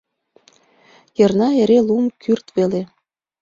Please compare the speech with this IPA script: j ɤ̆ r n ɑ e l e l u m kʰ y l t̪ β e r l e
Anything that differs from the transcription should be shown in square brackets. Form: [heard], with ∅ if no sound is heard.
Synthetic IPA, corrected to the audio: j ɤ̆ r n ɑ e [ɾ] e l u m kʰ y [r] t̪ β e [∅] l e